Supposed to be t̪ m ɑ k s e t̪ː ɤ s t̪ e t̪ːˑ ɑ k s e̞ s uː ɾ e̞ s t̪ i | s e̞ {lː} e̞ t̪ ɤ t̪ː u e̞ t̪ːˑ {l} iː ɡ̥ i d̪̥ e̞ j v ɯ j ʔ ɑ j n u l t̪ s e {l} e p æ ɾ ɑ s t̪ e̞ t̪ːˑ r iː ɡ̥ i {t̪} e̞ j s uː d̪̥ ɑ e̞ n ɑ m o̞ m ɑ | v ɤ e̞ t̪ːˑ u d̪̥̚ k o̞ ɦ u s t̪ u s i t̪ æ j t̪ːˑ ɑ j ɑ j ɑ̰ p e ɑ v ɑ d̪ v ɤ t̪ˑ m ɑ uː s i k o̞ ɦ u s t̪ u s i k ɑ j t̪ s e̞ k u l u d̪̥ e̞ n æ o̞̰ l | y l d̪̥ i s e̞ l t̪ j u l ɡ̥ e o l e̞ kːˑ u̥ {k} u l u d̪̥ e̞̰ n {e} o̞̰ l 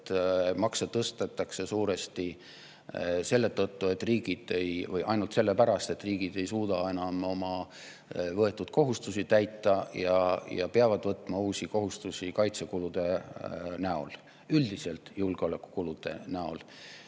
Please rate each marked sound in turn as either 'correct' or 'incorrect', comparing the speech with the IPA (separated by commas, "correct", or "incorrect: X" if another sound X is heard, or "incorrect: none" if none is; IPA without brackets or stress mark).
correct, incorrect: r, incorrect: lː, incorrect: d̪, correct, incorrect: æ